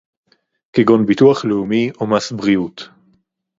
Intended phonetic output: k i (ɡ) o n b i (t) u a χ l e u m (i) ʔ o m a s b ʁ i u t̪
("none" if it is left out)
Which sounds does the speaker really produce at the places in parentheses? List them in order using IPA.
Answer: ɡ, t, i

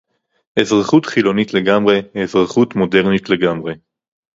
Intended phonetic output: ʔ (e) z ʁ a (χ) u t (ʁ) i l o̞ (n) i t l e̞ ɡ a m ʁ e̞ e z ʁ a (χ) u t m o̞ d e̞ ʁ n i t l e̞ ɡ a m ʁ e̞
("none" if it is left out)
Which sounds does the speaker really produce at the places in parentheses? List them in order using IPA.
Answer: e, χ, χ, n, χ

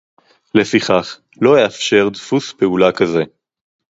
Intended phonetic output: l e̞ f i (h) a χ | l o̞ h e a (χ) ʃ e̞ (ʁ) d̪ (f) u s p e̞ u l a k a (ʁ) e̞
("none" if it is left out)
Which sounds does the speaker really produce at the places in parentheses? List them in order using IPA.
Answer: χ, f, ʁ, f, z

